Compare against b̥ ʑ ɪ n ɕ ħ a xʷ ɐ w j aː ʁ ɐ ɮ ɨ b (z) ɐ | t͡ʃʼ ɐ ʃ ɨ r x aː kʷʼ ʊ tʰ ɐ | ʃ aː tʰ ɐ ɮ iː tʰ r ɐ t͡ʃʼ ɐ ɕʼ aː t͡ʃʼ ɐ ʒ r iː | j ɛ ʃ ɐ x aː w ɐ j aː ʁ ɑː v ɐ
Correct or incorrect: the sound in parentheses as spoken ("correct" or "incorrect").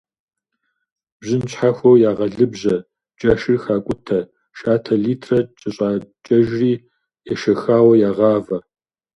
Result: incorrect